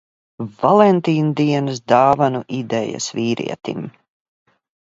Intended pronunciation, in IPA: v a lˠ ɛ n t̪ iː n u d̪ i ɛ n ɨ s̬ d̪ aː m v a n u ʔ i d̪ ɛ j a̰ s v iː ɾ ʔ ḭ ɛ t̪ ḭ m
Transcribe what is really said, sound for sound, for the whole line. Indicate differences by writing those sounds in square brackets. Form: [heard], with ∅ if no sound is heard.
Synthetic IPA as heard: v a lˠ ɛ n t̪ iː n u d̪ i ɛ n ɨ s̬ d̪ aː [∅] v a n u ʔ i d̪ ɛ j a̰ s v iː ɾ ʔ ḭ ɛ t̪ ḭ m